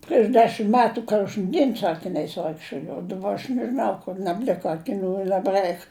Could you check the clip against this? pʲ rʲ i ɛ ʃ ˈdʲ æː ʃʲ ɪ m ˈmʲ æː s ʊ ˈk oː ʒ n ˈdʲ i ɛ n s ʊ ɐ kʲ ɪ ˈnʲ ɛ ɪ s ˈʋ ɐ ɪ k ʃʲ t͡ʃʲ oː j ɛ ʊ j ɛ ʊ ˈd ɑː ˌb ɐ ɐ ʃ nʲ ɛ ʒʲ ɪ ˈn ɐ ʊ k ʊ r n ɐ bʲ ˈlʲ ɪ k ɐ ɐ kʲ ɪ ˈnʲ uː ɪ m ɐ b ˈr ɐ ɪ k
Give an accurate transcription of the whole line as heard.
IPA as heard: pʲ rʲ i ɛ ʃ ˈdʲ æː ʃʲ ɪ m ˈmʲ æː t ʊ ˈk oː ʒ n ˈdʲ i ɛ n s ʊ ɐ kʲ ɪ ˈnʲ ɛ ɪ s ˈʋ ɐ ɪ k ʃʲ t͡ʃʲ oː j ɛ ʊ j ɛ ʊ ˈd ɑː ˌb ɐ ɐ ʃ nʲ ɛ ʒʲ ɪ ˈn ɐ ʊ k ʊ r n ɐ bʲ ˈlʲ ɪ k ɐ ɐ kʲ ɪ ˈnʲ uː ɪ n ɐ b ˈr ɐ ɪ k